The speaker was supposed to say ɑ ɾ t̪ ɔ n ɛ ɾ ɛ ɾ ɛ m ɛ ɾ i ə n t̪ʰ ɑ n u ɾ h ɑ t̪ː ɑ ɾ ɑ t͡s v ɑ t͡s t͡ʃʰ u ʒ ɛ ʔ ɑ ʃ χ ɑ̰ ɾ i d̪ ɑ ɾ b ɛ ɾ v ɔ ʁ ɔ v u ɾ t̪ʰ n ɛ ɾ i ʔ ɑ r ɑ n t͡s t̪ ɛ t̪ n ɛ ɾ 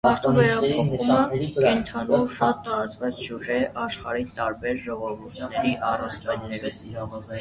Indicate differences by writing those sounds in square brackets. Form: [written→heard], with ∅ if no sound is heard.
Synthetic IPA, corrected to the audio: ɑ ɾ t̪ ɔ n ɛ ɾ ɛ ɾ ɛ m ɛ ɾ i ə n t̪ʰ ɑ n u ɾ [h→ʃ] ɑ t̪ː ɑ ɾ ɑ t͡s v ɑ t͡s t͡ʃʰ u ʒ ɛ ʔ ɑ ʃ χ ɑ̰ ɾ i [d̪→t̪] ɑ ɾ b ɛ ɾ [v→ʒ] ɔ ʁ ɔ v u ɾ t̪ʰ n ɛ ɾ i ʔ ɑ r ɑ n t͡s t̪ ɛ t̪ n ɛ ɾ